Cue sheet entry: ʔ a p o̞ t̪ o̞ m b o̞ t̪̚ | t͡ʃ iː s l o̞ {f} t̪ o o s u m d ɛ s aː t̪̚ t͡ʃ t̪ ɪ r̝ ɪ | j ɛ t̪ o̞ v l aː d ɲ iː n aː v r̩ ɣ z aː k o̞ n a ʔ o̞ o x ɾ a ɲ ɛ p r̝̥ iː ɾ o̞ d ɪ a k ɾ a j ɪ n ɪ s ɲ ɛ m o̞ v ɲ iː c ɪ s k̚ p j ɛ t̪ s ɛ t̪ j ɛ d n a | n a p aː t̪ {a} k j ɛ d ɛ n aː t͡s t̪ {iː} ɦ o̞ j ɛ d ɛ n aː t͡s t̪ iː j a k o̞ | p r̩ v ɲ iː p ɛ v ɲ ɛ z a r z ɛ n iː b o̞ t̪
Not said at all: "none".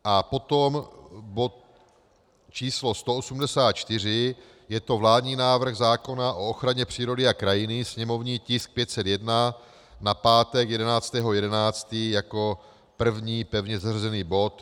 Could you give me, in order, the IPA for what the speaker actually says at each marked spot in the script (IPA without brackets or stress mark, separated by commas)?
s, ɛ, ɛː